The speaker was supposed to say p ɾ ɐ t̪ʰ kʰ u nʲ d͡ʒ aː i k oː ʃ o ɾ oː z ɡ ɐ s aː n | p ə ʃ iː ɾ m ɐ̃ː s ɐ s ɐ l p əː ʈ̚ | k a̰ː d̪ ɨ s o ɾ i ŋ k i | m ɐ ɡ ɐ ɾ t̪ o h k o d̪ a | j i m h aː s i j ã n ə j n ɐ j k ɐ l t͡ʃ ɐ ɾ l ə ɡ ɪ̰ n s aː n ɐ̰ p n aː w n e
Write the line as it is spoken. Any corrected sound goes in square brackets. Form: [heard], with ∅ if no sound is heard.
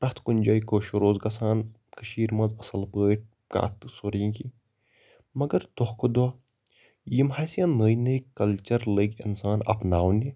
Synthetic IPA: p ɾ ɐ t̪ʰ [k] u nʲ d͡ʒ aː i k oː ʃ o ɾ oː z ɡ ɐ s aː n | [k] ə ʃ iː ɾ m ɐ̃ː [z] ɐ s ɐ l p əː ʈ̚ | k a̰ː [t̪] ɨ s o ɾ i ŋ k i | m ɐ ɡ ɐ ɾ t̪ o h k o d̪ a | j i m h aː s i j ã n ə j n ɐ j k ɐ l t͡ʃ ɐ ɾ l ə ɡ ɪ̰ n s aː n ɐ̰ p n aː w n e